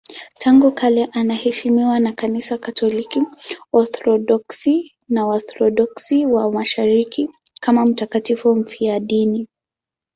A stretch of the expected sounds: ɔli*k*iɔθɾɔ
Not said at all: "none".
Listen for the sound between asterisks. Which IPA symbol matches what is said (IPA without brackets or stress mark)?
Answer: k